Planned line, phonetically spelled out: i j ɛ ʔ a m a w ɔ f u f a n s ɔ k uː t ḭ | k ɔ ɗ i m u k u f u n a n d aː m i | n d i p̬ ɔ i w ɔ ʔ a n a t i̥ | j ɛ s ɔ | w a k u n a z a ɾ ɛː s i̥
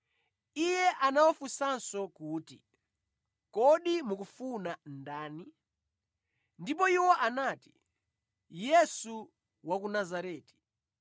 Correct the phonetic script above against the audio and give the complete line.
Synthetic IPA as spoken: i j ɛ ʔ a n a w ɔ f u s a n s ɔ k uː t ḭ | k ɔ ɗ i m u k u f u n a n d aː n i | n d i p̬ ɔ i w ɔ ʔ a n a t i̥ | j ɛ s u | w a k u n a z a ɾ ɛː t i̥